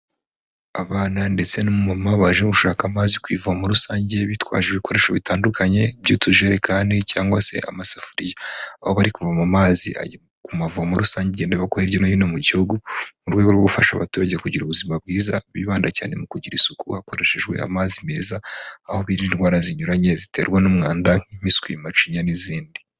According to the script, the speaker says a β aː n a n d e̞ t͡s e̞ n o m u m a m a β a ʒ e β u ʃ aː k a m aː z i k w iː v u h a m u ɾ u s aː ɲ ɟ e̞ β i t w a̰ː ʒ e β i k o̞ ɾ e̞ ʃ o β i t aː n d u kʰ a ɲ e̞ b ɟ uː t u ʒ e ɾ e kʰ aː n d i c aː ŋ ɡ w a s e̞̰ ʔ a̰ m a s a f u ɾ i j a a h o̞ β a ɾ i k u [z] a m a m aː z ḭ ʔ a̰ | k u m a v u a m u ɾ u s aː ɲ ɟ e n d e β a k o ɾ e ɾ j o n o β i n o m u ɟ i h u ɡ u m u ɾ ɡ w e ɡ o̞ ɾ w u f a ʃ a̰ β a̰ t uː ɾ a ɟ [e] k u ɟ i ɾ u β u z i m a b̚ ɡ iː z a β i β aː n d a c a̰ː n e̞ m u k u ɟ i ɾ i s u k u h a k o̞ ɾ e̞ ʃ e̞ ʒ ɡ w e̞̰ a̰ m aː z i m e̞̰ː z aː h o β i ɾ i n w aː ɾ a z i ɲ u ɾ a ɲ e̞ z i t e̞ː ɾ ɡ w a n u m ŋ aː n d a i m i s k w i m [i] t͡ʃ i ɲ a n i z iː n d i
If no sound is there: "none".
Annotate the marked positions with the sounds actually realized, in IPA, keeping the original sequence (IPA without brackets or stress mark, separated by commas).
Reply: v, e, a